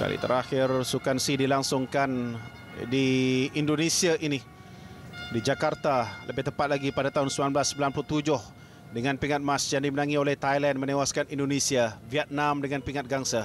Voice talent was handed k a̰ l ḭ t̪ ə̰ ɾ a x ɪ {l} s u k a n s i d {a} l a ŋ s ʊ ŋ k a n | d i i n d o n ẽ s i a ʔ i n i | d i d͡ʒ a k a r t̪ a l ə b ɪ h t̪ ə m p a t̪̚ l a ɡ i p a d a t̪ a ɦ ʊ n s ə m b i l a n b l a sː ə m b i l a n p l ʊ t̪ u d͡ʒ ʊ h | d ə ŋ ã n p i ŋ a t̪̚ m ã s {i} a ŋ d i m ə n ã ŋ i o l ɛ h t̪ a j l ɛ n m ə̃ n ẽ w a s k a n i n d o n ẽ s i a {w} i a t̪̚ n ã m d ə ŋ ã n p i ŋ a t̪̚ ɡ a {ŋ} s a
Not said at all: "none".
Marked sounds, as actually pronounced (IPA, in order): r, i, j, v, ŋ

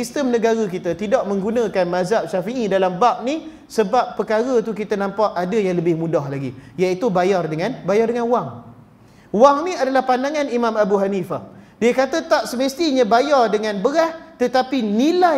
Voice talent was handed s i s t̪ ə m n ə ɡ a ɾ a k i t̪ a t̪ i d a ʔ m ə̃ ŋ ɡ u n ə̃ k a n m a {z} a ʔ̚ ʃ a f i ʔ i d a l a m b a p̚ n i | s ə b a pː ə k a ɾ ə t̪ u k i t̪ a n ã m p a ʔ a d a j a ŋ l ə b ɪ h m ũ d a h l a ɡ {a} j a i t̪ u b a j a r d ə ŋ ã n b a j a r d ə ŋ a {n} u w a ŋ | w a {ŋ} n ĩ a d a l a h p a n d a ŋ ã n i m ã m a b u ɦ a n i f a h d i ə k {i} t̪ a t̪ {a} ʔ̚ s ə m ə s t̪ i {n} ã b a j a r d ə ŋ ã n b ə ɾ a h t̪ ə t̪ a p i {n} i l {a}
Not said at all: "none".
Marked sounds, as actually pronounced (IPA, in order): z, i, n, ŋ, a, a, ɲ, n, a

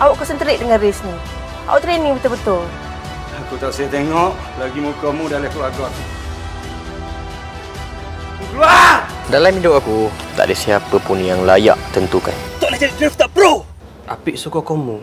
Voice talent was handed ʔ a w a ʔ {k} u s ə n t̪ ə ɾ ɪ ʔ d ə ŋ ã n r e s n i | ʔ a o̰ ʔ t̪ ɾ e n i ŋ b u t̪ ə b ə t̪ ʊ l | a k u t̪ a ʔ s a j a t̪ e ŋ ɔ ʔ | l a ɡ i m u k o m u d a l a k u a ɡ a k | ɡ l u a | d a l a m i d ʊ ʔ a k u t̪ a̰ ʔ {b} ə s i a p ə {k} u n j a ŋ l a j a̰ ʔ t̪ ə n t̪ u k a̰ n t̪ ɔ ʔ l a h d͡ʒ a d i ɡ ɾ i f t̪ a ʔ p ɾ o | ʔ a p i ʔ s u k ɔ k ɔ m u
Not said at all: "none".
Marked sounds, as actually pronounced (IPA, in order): k, d, p

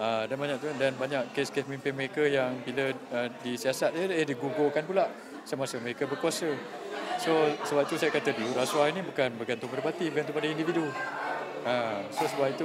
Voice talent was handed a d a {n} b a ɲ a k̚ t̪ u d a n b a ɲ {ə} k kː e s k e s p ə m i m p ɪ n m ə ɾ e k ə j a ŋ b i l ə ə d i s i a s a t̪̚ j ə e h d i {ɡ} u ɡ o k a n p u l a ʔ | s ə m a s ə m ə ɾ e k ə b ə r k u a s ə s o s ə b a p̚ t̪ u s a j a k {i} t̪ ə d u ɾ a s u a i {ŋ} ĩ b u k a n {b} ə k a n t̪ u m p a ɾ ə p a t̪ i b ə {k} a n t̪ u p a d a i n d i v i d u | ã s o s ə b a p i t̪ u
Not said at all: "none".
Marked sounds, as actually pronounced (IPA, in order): n, a, ɡ, a, n, b, k

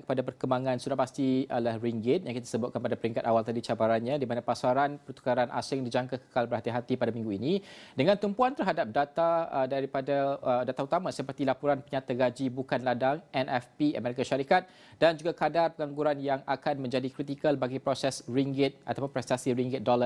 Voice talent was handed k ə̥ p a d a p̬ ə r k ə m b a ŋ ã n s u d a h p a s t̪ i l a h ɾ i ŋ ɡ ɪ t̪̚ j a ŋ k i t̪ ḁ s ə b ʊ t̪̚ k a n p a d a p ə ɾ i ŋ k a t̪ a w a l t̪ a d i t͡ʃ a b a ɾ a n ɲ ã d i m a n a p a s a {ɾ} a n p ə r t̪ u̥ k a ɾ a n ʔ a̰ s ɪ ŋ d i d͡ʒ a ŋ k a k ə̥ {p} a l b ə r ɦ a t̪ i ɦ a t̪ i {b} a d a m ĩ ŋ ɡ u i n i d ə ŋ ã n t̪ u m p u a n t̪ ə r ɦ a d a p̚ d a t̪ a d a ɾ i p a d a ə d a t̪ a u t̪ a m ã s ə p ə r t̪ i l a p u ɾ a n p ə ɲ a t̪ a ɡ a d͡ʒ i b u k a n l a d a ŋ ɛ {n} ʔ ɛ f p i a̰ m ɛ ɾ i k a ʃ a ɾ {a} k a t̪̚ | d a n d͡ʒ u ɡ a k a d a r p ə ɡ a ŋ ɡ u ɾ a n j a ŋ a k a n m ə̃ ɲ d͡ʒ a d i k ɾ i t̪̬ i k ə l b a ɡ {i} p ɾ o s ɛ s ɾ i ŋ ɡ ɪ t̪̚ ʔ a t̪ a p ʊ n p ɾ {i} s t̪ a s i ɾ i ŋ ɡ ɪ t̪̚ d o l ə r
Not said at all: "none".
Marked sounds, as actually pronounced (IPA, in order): ɾ, k, p, n, i, i, ɛ

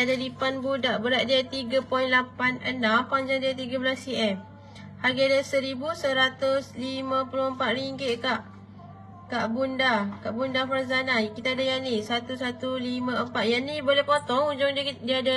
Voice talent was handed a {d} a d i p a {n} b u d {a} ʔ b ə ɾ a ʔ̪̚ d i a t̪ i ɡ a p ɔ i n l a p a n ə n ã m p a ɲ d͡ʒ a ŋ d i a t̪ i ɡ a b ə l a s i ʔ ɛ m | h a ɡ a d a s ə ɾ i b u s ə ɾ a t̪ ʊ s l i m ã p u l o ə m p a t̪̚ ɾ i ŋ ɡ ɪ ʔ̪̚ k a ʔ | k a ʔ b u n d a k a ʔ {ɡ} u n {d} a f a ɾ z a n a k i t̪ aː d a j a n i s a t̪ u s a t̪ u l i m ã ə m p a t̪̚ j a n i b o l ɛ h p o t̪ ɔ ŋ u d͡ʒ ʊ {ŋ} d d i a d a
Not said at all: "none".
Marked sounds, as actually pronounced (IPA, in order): d, n, a, b, d, ŋ

